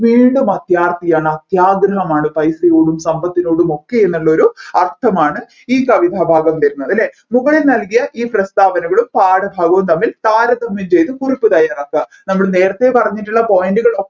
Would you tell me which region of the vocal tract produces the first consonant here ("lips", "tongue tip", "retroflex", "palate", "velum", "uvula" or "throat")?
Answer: lips